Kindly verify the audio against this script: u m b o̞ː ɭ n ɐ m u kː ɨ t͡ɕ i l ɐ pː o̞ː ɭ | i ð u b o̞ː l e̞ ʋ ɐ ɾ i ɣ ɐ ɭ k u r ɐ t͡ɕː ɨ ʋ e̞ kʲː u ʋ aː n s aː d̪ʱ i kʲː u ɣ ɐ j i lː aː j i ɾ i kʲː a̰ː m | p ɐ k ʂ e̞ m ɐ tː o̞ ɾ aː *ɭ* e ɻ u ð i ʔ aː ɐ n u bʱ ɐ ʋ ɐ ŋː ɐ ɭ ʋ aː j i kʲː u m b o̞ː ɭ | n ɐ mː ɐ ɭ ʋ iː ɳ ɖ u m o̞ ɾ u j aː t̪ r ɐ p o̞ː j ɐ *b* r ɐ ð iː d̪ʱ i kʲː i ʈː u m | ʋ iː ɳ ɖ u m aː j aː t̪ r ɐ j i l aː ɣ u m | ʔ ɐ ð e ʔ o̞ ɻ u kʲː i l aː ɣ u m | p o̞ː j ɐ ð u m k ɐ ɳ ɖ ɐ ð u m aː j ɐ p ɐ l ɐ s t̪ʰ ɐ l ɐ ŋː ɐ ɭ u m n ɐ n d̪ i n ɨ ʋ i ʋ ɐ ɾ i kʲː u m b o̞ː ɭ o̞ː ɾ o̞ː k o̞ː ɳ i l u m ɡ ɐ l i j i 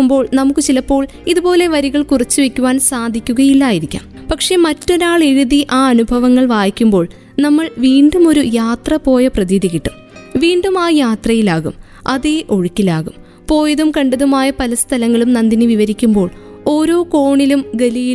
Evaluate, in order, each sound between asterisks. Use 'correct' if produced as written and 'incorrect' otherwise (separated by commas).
correct, incorrect